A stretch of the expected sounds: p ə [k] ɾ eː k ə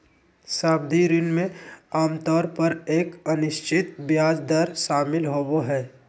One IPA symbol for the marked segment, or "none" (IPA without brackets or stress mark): none